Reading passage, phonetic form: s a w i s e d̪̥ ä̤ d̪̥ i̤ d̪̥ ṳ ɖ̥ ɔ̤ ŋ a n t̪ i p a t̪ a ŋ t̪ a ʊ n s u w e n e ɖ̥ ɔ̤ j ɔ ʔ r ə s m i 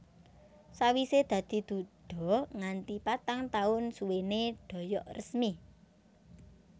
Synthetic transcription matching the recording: s a w i s e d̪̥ ä̤ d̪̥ i̤ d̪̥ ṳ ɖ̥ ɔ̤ ŋ a n t̪ i p a t̪ a ŋ t̪ a ʊ n s u w e n e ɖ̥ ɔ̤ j ɔ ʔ r ə s m i

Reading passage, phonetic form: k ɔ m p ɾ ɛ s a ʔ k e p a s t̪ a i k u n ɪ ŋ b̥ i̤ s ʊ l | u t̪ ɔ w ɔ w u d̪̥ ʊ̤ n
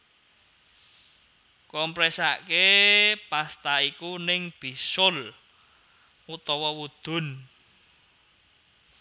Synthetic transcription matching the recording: k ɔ m p ɾ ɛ s a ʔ k e p a s t̪ a i k u n ɪ ŋ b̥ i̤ s ʊ l | u t̪ ɔ w ɔ w u d̪̥ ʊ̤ n

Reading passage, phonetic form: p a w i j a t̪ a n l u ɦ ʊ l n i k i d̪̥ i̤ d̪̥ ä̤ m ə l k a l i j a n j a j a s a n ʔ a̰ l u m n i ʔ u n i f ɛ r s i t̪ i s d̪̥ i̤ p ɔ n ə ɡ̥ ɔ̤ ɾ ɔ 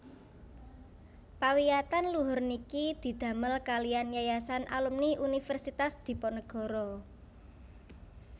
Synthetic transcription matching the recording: p a w i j a t̪ a n l u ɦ ʊ r n i k i d̪̥ i̤ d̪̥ ä̤ m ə l k a l i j a n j a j a s a n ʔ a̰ l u m n i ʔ u n i f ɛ r s i t̪ a s d̪̥ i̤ p ɔ n ə ɡ̥ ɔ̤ ɾ ɔ

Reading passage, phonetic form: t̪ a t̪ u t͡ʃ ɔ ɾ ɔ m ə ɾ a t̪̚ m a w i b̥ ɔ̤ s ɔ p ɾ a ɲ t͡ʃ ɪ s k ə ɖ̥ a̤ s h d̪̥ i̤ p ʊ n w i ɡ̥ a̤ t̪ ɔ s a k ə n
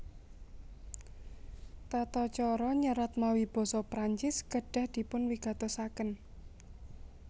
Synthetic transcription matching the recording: t̪ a t̪ ɔ t͡ʃ ɔ ɾ ɔ ɲ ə ɾ a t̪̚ m a w i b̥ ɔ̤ s ɔ p ɾ a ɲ t͡ʃ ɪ s k ə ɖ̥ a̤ h d̪̥ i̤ p ʊ n w i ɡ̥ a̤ t̪ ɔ s a k ə n

